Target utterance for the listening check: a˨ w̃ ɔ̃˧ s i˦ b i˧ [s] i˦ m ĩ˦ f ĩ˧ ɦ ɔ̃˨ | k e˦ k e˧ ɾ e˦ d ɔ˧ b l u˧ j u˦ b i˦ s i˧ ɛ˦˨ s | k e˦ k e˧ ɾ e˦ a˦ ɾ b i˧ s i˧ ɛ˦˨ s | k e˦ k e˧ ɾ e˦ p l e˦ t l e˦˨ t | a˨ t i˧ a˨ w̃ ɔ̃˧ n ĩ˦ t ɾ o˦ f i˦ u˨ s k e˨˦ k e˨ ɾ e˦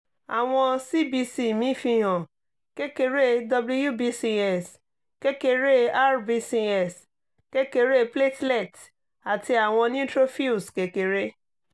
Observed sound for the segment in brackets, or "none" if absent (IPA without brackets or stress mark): s